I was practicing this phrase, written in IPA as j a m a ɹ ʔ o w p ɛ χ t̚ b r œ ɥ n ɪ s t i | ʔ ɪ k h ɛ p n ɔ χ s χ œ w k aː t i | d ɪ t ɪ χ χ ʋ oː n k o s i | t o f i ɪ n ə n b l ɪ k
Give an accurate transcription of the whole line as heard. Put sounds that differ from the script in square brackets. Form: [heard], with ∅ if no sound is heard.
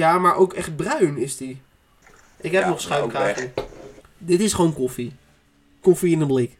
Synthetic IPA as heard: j a m a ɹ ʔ o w [k] ɛ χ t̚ b r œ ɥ n ɪ s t i | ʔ ɪ k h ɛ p n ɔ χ s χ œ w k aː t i | d ɪ t ɪ [s] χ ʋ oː n k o [f] i | [k] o f i ɪ n ə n b l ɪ k